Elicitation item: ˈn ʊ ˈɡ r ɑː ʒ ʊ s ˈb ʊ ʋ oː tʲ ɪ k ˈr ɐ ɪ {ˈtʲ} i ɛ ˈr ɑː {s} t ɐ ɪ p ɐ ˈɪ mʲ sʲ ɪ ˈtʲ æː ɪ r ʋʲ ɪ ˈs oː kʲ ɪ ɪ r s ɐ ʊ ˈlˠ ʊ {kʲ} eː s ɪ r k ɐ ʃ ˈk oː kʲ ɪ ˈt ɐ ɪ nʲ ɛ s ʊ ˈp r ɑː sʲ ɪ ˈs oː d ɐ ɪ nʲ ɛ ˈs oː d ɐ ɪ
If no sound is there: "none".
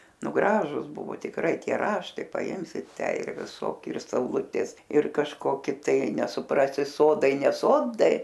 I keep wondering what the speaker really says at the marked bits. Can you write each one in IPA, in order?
tʲ, ʃ, tʲ

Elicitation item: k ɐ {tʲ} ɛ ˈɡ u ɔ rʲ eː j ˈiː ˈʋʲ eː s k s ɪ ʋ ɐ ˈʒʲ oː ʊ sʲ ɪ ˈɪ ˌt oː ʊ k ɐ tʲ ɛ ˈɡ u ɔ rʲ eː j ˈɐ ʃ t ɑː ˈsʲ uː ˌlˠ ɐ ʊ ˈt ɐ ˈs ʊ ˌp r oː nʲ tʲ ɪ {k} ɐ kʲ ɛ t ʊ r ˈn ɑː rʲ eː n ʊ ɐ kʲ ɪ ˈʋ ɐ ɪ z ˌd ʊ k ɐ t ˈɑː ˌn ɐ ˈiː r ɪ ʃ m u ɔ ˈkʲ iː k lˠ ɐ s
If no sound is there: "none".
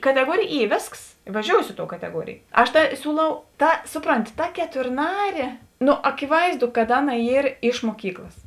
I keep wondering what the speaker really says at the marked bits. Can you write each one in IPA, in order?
tʲ, t

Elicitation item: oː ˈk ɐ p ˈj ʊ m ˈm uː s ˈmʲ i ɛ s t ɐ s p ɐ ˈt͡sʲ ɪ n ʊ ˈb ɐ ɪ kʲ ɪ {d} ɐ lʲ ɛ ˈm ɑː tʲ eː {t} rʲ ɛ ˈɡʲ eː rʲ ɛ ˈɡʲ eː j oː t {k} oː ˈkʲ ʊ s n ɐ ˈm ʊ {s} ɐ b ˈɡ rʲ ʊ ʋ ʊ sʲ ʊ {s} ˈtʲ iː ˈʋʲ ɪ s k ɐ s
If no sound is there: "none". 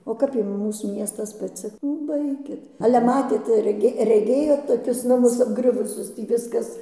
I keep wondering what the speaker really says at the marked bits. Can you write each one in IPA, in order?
t, t, t, s, s

